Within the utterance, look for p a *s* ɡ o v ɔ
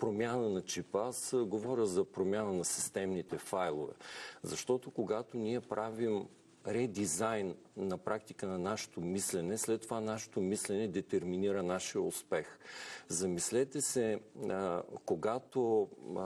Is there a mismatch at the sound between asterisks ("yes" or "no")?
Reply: no